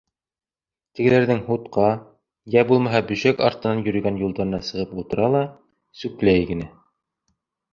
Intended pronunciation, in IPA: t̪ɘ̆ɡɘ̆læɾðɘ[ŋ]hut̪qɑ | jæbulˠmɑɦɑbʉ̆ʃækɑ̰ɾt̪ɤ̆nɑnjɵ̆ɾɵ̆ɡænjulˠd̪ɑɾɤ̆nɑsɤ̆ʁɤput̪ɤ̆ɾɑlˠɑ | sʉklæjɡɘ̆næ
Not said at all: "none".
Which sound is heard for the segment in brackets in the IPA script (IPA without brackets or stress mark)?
ŋ